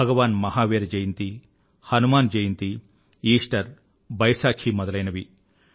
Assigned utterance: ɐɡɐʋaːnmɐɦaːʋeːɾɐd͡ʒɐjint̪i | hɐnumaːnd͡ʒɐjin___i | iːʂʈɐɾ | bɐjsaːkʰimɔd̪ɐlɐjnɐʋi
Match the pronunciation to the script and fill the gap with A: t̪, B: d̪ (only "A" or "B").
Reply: A